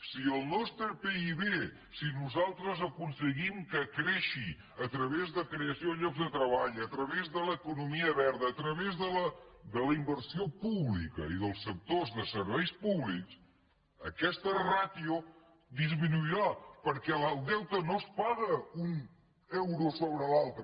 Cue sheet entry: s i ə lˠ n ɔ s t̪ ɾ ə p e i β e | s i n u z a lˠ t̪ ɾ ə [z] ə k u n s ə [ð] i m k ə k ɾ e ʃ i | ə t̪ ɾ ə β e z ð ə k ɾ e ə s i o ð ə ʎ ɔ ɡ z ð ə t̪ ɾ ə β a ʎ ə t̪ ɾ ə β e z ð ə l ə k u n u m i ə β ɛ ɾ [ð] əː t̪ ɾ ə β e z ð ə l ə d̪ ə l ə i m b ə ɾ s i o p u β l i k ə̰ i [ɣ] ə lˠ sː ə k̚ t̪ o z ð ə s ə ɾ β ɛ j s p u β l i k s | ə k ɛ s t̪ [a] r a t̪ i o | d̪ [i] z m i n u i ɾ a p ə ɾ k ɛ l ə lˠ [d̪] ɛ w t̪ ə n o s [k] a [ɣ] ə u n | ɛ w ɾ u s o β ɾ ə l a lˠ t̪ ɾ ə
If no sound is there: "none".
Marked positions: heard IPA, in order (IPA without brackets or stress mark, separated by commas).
z, ɣ, ð, ð, ə, i, d̪, p, ɣ